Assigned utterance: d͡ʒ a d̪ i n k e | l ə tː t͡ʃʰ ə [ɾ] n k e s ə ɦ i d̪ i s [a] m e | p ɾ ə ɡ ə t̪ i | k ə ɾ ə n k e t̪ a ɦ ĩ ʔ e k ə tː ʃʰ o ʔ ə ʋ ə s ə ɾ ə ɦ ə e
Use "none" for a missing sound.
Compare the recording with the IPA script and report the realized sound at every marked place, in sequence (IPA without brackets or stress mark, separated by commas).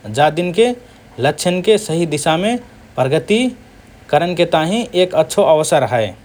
none, a